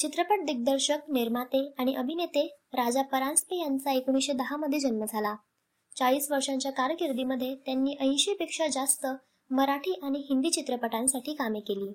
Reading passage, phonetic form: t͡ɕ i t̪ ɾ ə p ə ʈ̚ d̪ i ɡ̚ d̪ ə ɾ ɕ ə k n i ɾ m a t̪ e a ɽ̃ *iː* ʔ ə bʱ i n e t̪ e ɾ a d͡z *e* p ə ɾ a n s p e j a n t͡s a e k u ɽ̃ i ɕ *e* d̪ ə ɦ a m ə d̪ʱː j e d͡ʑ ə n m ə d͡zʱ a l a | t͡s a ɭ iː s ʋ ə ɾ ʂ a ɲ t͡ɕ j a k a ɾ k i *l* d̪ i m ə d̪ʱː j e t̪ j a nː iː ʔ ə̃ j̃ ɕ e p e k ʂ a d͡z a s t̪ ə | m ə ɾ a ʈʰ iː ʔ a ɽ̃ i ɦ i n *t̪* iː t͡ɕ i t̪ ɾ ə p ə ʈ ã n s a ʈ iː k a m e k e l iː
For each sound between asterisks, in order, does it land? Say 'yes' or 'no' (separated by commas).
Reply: no, no, yes, no, no